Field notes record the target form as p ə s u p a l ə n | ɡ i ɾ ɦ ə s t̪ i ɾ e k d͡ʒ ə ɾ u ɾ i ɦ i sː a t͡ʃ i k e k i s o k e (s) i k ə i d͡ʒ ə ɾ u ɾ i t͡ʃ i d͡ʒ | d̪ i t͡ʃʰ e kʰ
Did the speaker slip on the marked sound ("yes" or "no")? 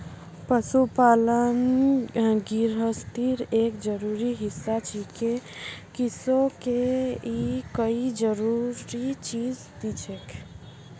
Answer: yes